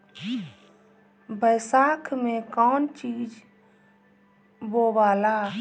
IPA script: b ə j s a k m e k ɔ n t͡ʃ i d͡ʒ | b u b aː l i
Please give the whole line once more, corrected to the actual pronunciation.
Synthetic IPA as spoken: b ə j s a kʰ m e k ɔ n t͡ʃ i d͡ʒ | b o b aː l a

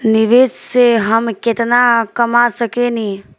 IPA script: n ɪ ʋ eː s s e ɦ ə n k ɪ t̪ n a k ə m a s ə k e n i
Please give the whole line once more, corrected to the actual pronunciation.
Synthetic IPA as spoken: n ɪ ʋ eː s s e ɦ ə m k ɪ t̪ n a k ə m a s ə k e n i

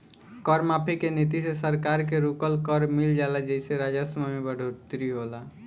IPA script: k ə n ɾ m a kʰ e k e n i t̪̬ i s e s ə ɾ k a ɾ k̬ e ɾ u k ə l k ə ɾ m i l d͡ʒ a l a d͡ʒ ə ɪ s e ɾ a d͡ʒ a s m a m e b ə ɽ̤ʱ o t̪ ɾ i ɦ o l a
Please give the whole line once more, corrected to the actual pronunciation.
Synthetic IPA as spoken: k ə ɾ m a pʰ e k e n i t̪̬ i s e s ə ɾ k a ɾ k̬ e ɾ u k ə l k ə ɾ m i l d͡ʒ a l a d͡ʒ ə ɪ s e ɾ a d͡ʒ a s m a m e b ə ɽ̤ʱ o t̪ ɾ i ɦ o l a

